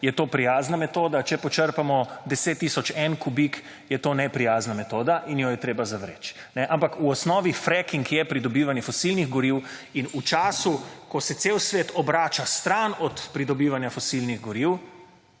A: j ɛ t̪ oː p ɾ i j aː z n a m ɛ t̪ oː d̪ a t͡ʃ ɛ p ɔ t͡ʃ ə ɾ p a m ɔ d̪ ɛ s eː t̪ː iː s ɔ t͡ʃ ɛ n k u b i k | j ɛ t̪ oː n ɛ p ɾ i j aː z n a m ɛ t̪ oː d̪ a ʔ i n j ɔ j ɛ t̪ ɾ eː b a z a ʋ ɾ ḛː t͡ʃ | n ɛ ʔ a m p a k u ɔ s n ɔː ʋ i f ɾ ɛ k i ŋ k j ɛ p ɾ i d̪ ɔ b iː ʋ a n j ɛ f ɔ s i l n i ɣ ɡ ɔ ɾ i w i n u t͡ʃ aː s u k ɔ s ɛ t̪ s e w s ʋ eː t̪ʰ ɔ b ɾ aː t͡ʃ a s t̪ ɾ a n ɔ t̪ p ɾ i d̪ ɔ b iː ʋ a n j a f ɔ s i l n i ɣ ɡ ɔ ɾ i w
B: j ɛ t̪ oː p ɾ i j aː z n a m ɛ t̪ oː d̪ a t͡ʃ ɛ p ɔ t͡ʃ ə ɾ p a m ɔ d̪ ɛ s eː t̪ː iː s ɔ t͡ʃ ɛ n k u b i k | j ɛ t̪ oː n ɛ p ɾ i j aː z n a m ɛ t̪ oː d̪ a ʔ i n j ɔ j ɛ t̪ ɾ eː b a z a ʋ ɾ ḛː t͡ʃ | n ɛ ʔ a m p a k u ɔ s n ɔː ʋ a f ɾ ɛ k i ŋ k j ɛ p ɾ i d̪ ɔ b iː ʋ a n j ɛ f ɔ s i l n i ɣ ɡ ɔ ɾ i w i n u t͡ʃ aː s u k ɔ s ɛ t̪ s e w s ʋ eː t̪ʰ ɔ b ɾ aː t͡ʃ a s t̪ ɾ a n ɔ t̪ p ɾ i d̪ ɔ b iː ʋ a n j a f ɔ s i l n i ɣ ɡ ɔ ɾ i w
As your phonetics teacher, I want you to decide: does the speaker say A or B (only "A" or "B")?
A